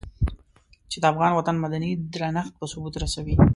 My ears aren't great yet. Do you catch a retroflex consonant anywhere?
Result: no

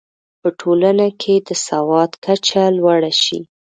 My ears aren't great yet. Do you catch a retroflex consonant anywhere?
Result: yes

